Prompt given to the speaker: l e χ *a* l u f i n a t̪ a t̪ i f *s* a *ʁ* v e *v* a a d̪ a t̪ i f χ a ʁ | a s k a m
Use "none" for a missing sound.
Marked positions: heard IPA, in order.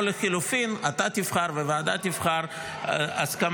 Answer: i, χ, ʁ, v

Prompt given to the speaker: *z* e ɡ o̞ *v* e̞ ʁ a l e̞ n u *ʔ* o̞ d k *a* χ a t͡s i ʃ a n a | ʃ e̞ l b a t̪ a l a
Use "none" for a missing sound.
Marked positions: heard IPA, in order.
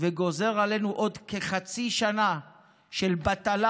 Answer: v, z, ʔ, e

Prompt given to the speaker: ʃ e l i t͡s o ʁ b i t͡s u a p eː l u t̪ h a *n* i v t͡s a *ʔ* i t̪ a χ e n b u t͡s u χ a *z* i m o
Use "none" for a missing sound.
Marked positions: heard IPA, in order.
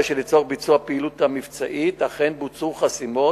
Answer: m, ʔ, s

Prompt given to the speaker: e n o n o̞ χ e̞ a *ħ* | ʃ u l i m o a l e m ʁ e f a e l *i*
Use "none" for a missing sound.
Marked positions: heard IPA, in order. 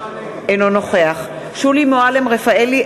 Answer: χ, i

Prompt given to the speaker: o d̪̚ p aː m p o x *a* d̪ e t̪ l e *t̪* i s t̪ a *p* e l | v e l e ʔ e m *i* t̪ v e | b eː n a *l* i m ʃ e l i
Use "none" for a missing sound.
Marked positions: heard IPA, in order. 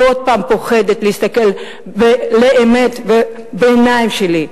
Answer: e, none, k, e, none

